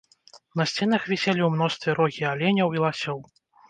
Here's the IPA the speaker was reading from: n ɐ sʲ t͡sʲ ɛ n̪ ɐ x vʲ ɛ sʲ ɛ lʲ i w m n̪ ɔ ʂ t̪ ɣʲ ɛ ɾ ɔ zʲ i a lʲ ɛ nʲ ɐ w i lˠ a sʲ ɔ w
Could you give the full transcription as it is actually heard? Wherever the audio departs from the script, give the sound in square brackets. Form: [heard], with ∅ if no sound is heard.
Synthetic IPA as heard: n ɐ sʲ t͡sʲ ɛ n̪ ɐ x vʲ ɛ sʲ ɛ lʲ i w m n̪ ɔ [s] t̪ [vʲ] ɛ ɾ ɔ [ɣʲ] i a lʲ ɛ nʲ ɐ w i lˠ a sʲ ɔ w